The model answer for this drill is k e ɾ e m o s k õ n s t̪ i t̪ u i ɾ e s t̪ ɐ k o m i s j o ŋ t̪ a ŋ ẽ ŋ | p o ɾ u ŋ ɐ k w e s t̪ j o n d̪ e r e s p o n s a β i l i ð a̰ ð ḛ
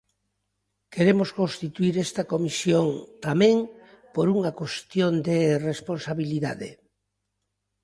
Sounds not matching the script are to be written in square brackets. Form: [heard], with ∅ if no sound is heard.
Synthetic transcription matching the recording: k e ɾ e m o s k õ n s t̪ i t̪ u i ɾ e s t̪ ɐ k o m i s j o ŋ t̪ a [m] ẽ ŋ | p o ɾ u ŋ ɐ k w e s t̪ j o n d̪ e r e s p o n s a β i l i ð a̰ ð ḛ